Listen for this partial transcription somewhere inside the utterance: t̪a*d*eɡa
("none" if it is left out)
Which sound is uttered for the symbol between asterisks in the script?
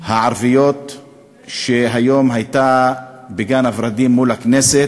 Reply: b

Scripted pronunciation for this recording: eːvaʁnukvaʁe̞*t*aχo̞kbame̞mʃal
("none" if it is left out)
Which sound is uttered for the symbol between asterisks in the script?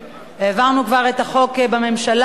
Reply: t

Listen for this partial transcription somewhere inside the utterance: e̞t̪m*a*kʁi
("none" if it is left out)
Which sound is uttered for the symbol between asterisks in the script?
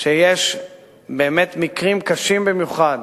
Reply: i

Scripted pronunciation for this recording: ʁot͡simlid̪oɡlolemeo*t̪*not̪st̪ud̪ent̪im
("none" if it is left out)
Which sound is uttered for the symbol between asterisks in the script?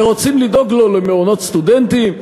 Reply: none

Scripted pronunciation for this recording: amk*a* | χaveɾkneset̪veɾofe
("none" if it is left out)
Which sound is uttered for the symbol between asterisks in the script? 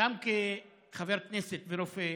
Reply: e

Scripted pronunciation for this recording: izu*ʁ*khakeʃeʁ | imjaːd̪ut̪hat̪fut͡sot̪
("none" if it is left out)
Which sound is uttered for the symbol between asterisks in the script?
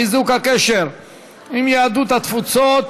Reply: none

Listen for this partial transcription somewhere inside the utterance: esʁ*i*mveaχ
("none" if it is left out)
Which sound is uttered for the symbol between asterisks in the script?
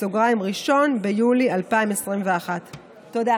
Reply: i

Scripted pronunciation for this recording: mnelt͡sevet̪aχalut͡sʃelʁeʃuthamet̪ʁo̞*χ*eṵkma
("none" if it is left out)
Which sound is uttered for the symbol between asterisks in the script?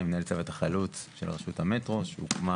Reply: ʃ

